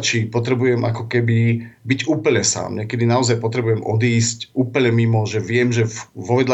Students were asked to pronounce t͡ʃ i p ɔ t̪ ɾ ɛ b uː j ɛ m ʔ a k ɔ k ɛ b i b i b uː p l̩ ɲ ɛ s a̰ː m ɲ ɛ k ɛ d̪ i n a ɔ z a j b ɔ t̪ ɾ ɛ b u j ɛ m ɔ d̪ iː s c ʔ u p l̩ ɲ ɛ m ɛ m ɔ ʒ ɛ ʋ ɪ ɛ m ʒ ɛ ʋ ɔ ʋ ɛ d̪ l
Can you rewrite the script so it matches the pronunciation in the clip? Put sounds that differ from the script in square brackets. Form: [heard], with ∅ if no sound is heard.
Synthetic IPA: t͡ʃ i p ɔ t̪ ɾ ɛ b [u] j ɛ m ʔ a k ɔ k ɛ b i b i [ɟ] uː p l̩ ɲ ɛ s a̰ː m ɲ ɛ k ɛ d̪ i n a ɔ z a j [p] ɔ t̪ ɾ ɛ b u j ɛ m ɔ d̪ iː s c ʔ [uː] p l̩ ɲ ɛ m [i] m ɔ ʒ ɛ ʋ ɪ ɛ m ʒ ɛ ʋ ɔ ʋ ɛ d̪ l